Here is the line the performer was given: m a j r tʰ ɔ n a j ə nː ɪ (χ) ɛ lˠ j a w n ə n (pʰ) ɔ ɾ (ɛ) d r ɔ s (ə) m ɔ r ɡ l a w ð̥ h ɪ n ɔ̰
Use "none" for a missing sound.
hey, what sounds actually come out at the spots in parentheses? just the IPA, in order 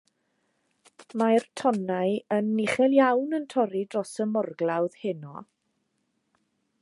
χ, tʰ, i, ə

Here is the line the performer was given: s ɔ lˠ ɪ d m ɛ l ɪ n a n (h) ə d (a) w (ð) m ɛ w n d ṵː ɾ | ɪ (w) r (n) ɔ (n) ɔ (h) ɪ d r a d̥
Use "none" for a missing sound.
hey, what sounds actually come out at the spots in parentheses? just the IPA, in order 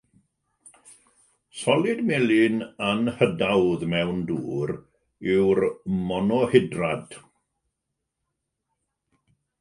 h, a, ð, w, m, n, h

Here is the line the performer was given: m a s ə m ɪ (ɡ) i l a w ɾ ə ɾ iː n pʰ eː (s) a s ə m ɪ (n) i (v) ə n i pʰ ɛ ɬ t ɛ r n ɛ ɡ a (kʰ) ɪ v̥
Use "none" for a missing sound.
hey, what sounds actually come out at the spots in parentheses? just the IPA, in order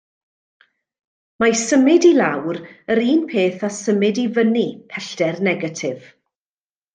d, θ, d, v, tʰ

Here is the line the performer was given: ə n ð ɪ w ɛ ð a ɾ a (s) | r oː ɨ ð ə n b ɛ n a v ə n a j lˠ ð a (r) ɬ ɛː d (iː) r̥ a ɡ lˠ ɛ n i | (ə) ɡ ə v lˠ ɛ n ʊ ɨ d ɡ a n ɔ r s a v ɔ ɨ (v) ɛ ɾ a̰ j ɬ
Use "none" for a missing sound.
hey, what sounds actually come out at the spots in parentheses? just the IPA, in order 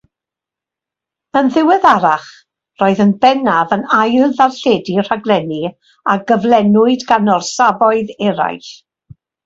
χ, r, i, a, ð

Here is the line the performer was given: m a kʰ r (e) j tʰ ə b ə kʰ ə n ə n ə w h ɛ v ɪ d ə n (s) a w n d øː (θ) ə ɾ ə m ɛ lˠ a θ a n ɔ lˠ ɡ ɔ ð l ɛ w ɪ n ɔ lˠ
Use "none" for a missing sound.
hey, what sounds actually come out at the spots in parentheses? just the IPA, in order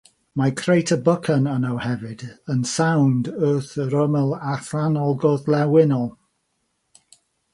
e, s, θ

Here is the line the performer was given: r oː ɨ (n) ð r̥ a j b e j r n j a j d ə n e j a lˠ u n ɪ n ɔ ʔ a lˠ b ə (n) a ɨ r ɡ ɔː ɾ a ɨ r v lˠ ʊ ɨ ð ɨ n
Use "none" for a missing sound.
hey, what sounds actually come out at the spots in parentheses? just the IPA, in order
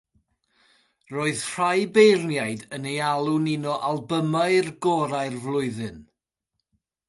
none, m

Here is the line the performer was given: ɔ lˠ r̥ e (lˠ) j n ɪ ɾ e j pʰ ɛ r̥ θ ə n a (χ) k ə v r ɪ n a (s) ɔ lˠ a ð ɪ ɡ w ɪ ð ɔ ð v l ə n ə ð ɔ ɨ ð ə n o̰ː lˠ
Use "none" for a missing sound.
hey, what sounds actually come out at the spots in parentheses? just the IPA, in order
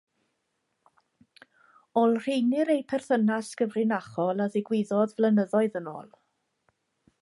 none, s, χ

